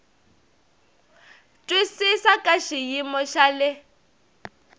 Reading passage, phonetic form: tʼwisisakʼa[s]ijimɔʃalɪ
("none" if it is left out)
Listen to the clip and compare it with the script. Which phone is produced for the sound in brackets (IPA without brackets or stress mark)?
ʃ